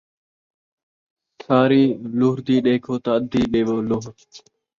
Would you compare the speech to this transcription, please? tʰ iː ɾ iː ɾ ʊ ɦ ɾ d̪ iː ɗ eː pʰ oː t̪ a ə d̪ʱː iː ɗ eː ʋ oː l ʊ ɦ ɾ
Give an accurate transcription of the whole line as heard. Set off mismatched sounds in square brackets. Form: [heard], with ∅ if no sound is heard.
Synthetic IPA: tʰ [aː] ɾ iː [l] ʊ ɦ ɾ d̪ iː ɗ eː [kʰ] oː t̪ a ə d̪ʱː iː ɗ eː ʋ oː l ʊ ɦ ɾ